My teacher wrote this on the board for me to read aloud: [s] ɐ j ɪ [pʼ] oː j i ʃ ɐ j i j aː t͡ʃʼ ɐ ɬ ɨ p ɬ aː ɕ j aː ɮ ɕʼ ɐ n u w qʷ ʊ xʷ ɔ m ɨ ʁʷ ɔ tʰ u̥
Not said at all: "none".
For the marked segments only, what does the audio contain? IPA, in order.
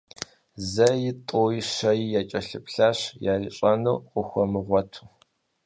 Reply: z, tʼ

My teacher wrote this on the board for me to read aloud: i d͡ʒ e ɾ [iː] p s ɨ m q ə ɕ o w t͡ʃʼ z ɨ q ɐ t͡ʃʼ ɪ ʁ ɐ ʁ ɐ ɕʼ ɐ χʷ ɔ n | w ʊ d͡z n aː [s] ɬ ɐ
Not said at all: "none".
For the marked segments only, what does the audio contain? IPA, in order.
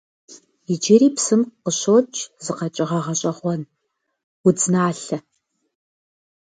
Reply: iː, none

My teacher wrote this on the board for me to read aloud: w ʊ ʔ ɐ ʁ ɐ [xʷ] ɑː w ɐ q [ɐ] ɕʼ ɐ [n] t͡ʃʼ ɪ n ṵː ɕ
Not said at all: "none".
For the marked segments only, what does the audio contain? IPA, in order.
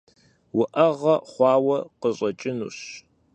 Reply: χʷ, ə, none

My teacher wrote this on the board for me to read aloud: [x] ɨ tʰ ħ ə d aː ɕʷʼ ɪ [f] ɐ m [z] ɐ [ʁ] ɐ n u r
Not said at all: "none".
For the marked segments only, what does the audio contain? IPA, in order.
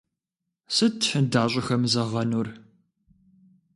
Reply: s, x, z, ʁ

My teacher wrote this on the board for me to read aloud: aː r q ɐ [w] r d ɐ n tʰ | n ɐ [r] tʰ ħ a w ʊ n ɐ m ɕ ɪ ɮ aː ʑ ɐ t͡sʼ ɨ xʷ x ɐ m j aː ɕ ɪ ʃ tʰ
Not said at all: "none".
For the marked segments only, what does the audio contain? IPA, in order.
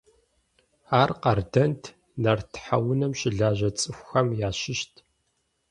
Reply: none, r

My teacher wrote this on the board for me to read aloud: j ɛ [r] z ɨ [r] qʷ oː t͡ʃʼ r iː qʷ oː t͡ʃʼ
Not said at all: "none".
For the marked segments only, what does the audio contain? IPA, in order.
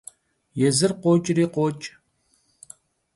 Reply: none, r

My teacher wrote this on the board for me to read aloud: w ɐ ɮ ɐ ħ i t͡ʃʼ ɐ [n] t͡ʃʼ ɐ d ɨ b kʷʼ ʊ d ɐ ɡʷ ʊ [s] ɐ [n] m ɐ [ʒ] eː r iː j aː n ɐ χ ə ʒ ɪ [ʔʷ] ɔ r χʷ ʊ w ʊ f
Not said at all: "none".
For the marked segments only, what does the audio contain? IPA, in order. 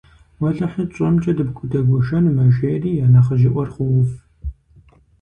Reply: m, ʃ, n, ʒ, ʔʷ

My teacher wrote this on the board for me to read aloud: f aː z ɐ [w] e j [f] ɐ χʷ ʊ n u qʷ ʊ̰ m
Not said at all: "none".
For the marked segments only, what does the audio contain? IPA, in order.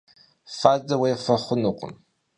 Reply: w, f

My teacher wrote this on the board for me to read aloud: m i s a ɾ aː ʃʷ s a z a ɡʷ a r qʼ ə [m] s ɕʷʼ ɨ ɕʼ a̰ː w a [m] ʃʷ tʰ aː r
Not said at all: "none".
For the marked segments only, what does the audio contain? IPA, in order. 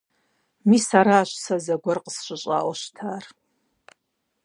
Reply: none, none

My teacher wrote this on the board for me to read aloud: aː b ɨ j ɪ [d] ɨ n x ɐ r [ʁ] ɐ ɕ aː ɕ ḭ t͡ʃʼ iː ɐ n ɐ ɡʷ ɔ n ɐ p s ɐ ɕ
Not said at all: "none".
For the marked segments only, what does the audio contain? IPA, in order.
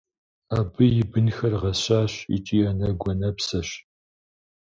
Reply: b, ʁ

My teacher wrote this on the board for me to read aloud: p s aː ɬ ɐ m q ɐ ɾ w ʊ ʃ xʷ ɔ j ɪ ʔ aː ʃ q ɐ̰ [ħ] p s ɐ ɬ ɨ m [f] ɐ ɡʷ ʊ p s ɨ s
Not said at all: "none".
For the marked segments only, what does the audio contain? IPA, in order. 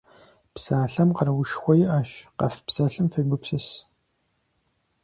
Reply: f, f

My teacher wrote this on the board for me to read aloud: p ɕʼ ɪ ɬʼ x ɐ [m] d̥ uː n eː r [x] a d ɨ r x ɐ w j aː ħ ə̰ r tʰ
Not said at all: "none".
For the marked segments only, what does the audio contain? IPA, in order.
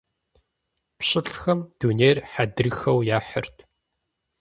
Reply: m, ħ

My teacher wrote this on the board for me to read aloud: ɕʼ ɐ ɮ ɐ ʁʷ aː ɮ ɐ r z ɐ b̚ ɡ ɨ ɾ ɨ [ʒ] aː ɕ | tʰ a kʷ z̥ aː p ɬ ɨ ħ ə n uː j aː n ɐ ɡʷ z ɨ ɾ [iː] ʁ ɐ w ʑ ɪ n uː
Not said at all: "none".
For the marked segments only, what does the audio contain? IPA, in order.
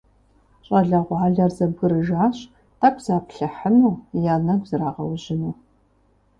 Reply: ʒ, aː

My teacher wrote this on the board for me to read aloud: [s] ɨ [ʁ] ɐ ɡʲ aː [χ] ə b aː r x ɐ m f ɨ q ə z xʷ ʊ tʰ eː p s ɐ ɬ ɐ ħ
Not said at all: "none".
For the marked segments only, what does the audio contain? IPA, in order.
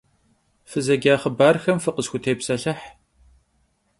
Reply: f, z, χ

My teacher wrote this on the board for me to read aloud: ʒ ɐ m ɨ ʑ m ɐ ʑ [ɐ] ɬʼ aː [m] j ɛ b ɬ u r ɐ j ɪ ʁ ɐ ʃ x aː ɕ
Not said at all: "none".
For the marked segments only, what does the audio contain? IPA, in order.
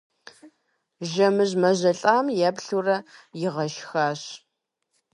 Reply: ɐ, m

